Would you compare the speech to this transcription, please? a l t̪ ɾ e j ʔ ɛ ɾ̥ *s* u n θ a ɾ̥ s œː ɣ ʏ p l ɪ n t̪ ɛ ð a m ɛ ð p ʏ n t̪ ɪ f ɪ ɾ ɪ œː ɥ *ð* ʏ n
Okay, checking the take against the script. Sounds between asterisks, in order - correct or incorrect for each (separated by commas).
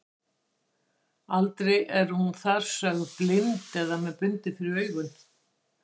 incorrect, incorrect